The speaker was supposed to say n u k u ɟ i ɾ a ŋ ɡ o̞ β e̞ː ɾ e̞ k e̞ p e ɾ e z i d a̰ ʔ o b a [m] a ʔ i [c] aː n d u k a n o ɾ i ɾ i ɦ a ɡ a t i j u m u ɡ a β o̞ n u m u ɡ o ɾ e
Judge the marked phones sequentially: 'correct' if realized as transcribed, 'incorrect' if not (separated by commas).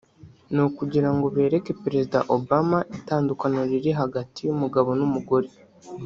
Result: correct, incorrect